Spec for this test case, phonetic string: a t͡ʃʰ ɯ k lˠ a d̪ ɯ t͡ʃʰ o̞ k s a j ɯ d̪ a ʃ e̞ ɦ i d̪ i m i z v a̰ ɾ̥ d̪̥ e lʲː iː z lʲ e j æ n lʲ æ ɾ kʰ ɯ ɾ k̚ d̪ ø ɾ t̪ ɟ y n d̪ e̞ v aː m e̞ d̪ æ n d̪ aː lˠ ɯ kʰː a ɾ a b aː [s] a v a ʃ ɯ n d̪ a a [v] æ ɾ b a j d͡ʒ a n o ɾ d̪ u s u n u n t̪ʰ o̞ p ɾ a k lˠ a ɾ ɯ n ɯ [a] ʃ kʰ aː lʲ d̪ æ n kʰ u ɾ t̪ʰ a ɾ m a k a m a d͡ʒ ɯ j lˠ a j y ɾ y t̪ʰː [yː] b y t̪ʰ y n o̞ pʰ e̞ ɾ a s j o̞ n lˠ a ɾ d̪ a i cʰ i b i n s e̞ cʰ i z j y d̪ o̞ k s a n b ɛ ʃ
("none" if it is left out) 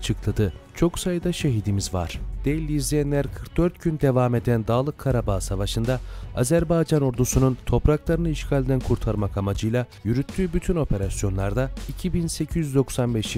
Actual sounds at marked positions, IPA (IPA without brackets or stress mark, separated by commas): s, z, i, yː